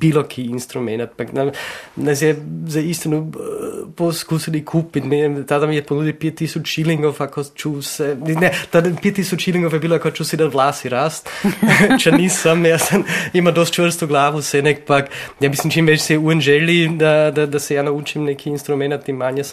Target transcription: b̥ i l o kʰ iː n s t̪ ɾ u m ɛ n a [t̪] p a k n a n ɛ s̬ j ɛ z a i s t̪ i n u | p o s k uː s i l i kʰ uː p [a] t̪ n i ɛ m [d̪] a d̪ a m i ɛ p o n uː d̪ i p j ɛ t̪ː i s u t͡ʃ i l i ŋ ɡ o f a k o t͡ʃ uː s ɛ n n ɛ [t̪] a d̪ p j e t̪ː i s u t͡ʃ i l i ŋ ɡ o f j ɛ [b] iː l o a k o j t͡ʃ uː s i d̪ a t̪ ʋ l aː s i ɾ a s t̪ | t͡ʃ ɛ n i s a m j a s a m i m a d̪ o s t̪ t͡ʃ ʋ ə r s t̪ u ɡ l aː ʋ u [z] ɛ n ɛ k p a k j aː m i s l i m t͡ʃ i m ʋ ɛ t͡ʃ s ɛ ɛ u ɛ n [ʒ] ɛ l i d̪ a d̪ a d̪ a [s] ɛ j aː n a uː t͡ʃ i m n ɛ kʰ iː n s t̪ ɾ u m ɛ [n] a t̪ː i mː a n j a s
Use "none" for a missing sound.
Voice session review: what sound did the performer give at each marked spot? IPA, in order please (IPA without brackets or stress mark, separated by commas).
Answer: t̪, i, t̪, t̪, b, s, ʒ, s, n